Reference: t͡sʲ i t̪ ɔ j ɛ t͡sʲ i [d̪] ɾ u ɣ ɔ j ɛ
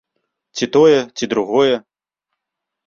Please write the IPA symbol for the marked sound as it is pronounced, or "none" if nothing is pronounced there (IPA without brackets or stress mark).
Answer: d̪